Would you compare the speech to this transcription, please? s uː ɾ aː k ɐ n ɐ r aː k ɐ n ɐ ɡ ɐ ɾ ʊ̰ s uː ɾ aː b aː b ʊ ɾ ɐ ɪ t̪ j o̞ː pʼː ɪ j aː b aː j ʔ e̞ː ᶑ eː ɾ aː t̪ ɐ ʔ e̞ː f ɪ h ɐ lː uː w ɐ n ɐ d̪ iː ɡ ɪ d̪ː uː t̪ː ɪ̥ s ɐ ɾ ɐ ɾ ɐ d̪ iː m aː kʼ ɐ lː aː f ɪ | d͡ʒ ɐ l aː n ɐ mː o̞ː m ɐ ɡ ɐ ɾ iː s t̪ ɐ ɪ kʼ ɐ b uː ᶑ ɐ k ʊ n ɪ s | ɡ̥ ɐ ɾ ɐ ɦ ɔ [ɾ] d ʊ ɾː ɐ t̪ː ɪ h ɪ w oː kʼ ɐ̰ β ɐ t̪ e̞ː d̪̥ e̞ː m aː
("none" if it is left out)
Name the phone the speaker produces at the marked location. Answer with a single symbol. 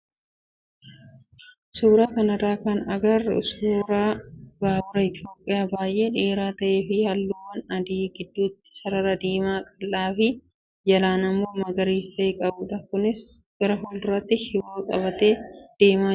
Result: l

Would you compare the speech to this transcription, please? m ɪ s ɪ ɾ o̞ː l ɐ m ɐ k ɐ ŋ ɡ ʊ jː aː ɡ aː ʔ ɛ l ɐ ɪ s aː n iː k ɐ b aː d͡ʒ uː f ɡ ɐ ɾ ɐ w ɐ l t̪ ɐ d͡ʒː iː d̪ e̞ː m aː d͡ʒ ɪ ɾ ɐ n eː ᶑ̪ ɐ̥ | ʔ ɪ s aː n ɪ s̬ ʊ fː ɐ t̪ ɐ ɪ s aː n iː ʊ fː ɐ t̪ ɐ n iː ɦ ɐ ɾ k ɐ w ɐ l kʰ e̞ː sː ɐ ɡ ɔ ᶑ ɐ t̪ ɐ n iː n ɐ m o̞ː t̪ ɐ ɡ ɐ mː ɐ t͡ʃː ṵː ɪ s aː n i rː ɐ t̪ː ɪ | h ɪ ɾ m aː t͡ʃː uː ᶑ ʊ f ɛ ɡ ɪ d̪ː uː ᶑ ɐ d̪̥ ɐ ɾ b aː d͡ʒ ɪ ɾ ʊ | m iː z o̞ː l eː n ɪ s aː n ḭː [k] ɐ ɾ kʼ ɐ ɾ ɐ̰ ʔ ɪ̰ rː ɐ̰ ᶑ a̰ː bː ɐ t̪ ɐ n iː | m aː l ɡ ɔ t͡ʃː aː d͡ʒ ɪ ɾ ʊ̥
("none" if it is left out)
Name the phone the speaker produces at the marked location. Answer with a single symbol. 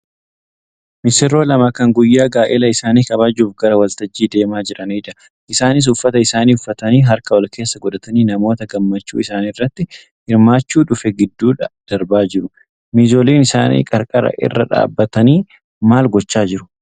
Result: kʼ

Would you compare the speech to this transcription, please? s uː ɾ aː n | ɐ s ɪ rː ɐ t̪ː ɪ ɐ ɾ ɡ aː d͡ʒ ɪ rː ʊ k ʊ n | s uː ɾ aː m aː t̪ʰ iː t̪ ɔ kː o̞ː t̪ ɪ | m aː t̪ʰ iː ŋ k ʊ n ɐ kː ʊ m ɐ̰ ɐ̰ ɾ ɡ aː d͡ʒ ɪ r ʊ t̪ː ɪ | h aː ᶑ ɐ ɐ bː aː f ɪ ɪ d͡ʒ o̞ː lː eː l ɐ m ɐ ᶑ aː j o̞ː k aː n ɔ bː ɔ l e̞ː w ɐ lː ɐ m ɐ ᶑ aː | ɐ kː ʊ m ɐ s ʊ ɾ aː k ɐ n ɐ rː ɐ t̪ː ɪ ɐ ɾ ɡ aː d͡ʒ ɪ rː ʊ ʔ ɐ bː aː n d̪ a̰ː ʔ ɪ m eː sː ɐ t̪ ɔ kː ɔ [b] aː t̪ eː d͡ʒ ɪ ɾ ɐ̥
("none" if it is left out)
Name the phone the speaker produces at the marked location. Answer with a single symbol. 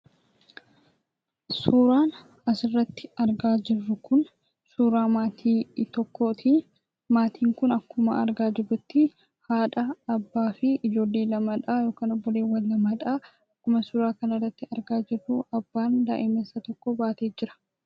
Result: b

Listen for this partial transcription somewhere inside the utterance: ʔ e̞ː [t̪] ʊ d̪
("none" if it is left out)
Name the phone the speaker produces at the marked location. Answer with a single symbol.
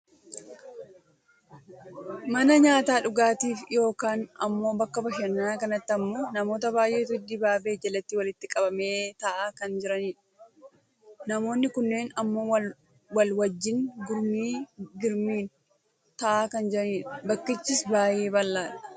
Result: t̪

